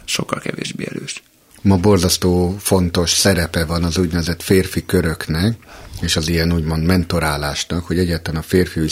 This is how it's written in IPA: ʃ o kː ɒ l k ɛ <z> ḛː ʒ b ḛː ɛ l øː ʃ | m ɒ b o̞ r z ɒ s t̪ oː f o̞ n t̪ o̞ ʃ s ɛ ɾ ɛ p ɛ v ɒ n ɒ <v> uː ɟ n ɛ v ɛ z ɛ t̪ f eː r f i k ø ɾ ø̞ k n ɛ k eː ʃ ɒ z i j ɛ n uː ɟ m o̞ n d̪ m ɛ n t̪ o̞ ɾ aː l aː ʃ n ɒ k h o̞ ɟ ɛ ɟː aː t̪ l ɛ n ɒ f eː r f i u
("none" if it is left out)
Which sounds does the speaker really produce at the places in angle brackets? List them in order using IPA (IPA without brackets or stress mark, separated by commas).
v, z